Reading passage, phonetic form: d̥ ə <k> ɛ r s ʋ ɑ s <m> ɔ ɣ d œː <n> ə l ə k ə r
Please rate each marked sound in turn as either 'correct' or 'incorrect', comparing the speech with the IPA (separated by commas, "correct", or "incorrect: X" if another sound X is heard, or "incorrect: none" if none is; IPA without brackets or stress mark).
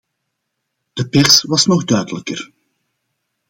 incorrect: p, incorrect: n, incorrect: d